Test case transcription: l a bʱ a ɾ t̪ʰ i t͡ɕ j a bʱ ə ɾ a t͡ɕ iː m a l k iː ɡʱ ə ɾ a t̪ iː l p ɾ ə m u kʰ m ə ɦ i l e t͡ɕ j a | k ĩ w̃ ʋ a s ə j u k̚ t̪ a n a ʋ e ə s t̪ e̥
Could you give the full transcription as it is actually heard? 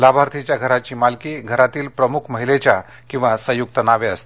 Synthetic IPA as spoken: l a bʱ a ɾ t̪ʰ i t͡ɕ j a ɡʱ ə ɾ a t͡ɕ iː m a l k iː ɡʱ ə ɾ a t̪ iː l p ɾ ə m u kʰ m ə ɦ i l e t͡ɕ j a | k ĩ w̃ ʋ a s ə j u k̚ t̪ ə n a ʋ e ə s t̪ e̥

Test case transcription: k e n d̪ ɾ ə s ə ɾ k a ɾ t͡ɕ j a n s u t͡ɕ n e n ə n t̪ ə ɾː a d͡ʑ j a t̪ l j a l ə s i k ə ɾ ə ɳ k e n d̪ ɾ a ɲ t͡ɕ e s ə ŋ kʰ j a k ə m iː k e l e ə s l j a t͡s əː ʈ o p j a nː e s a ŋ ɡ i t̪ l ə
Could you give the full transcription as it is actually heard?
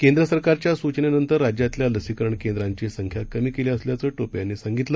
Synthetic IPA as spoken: k e n d̪ ɾ ə s ə ɾ k a ɾ t͡ɕ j a s u t͡ɕ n e n ə n t̪ ə ɾː a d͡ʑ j a t̪ l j a l ə s i k ə ɾ ə ɳ k e n d̪ ɾ a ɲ t͡ɕ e s ə ŋ kʰ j a k ə m iː k e l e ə s l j a t͡s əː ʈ o p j a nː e s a ŋ ɡ i t̪ l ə

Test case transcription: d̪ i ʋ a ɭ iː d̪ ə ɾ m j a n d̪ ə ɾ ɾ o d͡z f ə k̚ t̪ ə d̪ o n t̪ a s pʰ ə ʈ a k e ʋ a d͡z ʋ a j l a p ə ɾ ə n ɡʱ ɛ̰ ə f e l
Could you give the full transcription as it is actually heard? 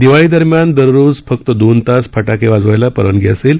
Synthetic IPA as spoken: d̪ i ʋ a ɭ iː d̪ ə ɾ m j a n d̪ ə ɾ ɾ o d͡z f ə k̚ t̪ ə d̪ o n t̪ a s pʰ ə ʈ a k e ʋ a d͡z ʋ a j l a p ə ɾ ə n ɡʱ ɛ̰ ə s e l

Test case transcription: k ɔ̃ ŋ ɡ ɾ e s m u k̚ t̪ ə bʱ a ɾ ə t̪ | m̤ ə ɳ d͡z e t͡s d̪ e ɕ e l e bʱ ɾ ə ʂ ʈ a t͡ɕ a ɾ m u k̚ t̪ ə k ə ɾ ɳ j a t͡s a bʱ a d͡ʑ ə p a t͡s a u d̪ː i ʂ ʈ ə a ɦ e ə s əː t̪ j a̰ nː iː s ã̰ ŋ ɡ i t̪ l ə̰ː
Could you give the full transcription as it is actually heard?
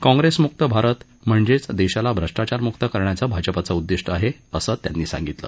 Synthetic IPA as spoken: k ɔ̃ ŋ ɡ ɾ e s m u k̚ t̪ ə bʱ a ɾ ə t̪ | m̤ ə ɳ d͡z e t͡s d̪ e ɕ a l a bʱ ɾ ə ʂ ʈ a t͡ɕ a ɾ m u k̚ t̪ ə k ə ɾ ɳ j a t͡s a bʱ a d͡ʑ ə p a t͡s a u d̪ː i ʂ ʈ ə a ɦ e ə s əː t̪ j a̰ nː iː s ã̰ ŋ ɡ i t̪ l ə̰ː

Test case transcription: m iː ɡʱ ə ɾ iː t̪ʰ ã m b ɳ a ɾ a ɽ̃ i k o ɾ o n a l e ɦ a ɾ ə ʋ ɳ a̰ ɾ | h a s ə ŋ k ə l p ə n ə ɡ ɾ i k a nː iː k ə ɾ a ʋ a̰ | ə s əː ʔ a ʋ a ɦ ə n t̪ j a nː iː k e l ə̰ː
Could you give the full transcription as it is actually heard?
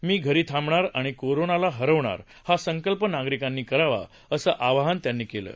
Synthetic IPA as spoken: m iː ɡʱ ə ɾ iː t̪ʰ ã m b ɳ a ɾ a ɽ̃ i k o ɾ o n a l a ɦ ə ɾ ə ʋ ɳ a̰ ɾ | h a s ə ŋ k ə l p ə n a ɡ ɾ i k a nː iː k ə ɾ a ʋ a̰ | ə s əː ʔ a ʋ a ɦ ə n t̪ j a nː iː k e l ə̰ː

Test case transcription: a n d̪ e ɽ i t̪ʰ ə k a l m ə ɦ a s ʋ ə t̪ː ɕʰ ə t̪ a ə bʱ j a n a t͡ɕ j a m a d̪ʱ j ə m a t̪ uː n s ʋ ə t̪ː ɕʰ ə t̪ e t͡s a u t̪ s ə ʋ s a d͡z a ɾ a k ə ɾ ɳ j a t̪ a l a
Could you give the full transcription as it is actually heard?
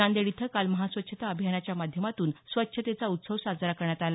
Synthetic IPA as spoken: a n d̪ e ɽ i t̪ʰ ə k a l m ə ɦ a s ʋ ə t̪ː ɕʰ ə t̪ a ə bʱ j a n a t͡ɕ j a m a d̪ʱ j ə m a t̪ uː n s ʋ ə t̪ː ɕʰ ə t̪ e t͡s a u t̪ s ə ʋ s a d͡z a ɾ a k ə ɾ ɳ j a t̪ a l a

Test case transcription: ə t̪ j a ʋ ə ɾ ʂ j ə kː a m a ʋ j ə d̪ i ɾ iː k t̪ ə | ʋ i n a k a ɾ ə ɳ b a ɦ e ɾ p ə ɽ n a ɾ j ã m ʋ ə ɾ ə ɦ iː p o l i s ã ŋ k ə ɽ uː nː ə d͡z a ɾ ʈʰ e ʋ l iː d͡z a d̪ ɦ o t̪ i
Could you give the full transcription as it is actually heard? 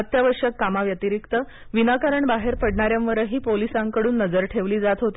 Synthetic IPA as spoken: ə t̪ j a ʋ ə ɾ ʂ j ə kː a m a ʋ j ə t̪ i ɾ i k t̪ ə | ʋ i n a k a ɾ ə ɳ b a ɦ e ɾ p ə ɽ ɳ a ɾ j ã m ʋ ə ɾ ə ɦ iː p o l i s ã ŋ k ə ɽ uː nː ə d͡z ə ɾ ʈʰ e ʋ l iː d͡z a t̪ ɦ o t̪ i

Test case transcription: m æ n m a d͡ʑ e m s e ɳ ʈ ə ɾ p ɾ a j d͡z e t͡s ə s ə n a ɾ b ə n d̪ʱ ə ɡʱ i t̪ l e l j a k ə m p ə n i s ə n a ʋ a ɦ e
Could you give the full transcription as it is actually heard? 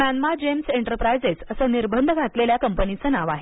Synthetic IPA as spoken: m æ n m a d͡ʑ e m s e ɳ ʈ ə ɾ p ɾ a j d͡z e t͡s ə s ə n i ɾ b ə n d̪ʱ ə ɡʱ a t̪ l e l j a k ə m p ə n i t͡s ə n a ʋ a ɦ e

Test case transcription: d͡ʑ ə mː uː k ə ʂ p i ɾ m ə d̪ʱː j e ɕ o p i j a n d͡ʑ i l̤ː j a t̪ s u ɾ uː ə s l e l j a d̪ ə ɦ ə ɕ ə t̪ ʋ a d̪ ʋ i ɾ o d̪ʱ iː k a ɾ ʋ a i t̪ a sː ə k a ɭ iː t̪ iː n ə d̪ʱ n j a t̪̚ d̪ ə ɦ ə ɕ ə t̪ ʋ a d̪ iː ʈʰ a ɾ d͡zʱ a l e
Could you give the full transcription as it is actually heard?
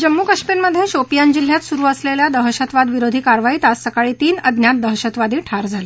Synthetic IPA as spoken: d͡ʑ ə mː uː k ə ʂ p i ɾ m ə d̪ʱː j e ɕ o p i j a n d͡ʑ i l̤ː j a t̪ s u ɾ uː ə s l e l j a d̪ ə ɦ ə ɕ ə t̪ ʋ a d̪ ʋ i ɾ o d̪ʱ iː k a ɾ ʋ a i t̪ a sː ə k a ɭ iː t̪ iː n ə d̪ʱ n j a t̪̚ d̪ ə ɦ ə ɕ ə t̪ ʋ a d̪ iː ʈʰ a ɾ d͡zʱ a l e

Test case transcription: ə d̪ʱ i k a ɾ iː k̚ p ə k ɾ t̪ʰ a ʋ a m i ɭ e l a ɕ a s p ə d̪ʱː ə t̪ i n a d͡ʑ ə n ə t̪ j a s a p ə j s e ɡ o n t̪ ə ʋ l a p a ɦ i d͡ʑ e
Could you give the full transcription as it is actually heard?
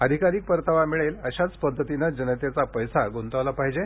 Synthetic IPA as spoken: ə d̪ʱ i k a ɾ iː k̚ p ə ɾ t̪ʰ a ʋ a m i ɭ e l ə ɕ a t͡s p ə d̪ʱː ə t̪ i n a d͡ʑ ə n ə t̪ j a t͡s a p ə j s a ɡ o n t̪ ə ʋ l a p a ɦ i d͡ʑ e

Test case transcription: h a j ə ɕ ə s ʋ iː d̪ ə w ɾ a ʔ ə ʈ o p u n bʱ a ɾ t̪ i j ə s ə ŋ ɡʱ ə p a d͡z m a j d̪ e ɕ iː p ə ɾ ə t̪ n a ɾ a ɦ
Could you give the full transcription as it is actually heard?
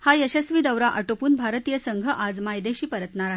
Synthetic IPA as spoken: h a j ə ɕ ə s ʋ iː d̪ ə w ɾ a ʔ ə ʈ o p uː n bʱ a ɾ t̪ i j ə s ə ŋ ɡʱ ə ʔ a d͡z m a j d̪ e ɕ iː p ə ɾ ə t̪ n a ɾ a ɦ

